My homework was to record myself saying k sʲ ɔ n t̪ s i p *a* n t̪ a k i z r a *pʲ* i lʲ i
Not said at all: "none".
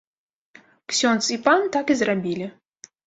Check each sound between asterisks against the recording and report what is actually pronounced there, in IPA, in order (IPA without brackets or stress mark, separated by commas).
a, bʲ